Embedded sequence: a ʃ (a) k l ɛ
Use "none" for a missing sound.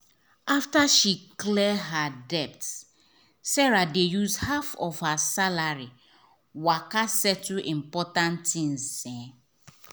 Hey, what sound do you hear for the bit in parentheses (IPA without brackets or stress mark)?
i